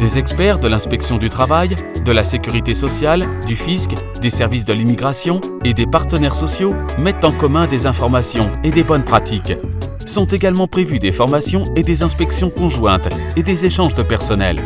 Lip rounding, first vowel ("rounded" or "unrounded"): unrounded